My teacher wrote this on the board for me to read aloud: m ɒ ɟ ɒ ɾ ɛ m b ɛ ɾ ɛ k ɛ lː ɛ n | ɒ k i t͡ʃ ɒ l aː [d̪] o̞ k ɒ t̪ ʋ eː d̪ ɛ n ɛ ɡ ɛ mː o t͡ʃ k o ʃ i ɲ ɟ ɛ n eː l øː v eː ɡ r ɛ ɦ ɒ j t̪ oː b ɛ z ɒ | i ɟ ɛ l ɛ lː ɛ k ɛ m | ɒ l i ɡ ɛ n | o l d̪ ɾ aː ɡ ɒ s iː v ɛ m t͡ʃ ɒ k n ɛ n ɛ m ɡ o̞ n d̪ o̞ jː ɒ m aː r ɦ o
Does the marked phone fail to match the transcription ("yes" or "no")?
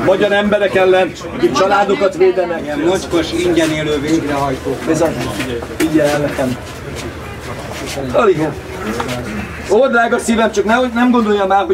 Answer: no